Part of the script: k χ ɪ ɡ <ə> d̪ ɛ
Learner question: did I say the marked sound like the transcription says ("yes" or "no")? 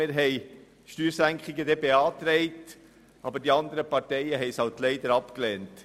yes